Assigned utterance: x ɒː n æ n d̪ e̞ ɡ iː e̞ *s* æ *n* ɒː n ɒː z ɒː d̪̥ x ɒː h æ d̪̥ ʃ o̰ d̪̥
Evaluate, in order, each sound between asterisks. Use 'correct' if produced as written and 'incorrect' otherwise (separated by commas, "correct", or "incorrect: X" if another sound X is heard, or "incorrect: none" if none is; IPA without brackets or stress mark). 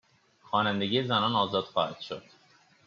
incorrect: z, correct